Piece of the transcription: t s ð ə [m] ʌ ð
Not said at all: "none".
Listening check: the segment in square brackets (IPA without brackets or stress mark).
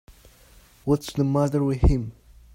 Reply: m